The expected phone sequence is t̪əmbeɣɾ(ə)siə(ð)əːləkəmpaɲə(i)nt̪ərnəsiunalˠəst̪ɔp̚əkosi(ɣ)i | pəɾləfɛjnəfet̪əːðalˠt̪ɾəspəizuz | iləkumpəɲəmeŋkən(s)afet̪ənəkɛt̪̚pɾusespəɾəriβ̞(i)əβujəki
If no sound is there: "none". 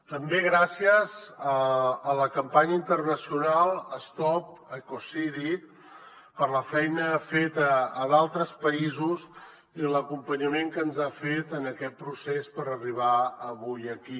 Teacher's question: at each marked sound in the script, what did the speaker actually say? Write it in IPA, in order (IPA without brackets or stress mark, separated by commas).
a, z, i, ð, z, a